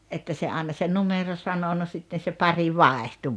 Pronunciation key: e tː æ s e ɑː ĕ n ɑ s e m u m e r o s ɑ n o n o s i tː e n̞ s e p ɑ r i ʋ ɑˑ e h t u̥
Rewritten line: e tː æ s e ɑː ĕ n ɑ s e n u m e r o s ɑ n o n o s i tː e n̞ s e p ɑ r i ʋ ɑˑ e h t u̥